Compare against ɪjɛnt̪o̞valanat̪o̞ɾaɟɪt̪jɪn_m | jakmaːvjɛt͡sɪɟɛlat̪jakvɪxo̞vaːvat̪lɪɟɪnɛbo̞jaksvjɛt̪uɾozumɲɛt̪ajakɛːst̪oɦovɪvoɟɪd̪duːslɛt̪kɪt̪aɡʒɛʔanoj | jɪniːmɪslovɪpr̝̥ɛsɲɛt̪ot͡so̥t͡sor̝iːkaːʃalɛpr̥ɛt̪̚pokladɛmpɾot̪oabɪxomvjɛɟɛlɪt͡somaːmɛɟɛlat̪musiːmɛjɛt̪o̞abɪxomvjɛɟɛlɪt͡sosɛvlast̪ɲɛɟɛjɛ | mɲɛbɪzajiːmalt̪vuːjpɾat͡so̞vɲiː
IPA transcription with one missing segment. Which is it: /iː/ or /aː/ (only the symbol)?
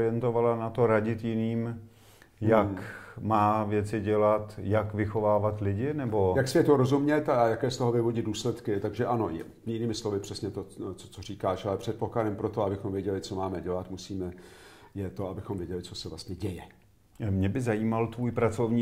iː